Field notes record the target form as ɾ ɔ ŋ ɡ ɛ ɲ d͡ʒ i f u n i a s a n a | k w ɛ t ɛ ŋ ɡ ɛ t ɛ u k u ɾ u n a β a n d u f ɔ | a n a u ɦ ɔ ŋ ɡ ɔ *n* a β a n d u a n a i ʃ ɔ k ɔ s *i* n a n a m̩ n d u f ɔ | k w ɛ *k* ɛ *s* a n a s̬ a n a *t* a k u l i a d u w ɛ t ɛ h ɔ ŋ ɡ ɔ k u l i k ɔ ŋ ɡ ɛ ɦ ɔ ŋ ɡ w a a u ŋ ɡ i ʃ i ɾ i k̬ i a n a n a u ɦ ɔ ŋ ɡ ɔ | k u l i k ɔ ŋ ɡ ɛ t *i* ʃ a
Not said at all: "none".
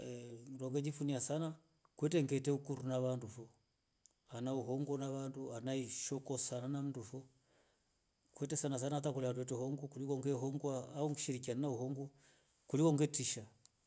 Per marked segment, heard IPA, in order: n, a, t, s, t, i

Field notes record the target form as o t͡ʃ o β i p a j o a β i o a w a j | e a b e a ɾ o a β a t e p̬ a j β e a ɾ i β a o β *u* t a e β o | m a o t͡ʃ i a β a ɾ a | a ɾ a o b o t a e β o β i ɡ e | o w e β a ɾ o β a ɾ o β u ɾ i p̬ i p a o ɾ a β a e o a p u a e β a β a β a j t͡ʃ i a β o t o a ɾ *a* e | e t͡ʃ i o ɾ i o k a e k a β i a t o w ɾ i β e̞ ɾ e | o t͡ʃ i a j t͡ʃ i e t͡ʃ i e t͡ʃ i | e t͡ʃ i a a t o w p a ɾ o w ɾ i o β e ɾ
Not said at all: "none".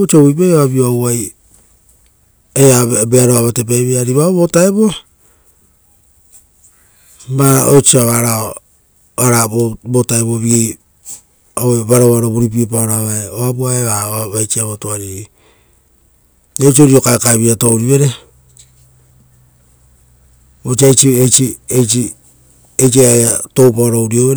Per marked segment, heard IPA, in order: o, i

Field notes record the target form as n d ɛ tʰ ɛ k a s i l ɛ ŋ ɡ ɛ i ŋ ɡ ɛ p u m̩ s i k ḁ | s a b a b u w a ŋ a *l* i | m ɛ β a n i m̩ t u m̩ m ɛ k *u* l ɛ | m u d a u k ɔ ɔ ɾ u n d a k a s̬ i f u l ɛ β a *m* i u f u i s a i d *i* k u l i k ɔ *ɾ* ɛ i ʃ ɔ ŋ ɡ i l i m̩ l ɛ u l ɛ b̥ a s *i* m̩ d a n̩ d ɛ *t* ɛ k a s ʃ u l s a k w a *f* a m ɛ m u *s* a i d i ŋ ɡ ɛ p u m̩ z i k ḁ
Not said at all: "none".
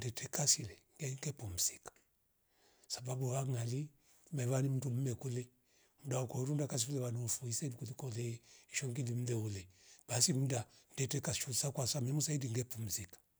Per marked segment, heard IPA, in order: l, u, n, i, l, i, t, s, s

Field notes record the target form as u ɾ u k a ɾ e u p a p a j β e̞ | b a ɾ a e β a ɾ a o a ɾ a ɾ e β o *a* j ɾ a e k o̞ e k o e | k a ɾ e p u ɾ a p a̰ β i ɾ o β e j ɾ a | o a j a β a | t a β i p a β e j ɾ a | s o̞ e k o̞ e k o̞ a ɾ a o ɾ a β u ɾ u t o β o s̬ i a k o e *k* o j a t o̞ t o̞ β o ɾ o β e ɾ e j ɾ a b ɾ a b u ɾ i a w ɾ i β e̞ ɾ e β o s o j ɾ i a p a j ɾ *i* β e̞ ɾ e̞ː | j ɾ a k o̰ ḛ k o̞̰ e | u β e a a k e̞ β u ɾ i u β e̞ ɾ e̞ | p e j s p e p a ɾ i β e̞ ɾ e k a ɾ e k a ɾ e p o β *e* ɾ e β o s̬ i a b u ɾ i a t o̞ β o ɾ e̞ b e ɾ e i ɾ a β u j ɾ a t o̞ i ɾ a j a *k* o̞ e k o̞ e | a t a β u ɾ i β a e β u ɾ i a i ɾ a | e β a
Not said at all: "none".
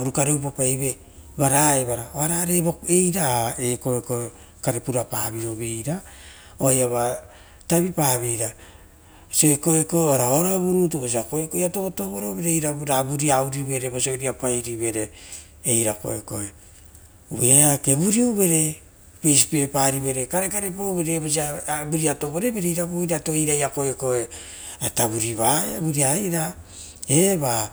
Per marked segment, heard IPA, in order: e, k, i, e, k

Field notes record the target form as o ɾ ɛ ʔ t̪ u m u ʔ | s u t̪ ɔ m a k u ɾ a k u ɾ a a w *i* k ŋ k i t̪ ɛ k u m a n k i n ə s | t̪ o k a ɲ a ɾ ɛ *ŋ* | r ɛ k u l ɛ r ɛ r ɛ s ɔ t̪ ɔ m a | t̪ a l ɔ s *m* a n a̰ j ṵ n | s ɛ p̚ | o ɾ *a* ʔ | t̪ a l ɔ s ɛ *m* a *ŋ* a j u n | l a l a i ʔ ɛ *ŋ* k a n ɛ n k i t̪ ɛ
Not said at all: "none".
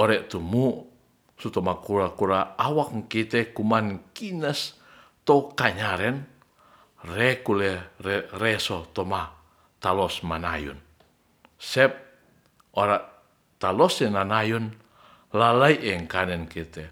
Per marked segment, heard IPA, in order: a, n, m, a, n, n, ŋ

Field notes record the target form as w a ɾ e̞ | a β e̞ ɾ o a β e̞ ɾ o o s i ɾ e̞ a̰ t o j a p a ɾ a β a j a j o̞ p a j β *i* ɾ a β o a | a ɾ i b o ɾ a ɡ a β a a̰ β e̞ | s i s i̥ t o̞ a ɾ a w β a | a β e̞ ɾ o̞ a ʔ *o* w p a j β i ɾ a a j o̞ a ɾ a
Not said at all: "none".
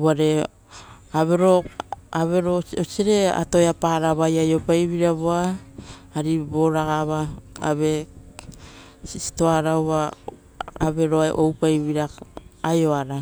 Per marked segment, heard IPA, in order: i, o

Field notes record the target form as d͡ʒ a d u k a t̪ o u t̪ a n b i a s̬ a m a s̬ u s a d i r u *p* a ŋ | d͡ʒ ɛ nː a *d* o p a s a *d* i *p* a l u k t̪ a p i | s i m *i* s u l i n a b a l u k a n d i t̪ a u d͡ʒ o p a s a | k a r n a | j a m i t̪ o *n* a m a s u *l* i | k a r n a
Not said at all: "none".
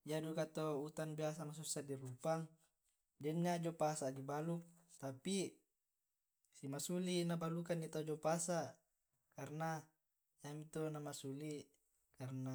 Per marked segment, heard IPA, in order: p, d͡ʒ, d, b, a, n, l

